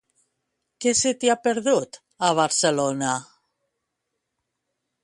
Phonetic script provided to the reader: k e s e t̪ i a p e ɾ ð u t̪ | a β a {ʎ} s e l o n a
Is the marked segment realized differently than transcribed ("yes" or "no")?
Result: yes